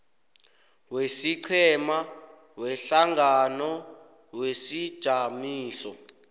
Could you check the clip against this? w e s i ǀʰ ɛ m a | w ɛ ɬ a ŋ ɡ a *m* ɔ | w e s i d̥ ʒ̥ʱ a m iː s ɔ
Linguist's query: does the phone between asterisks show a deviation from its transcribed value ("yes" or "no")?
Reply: yes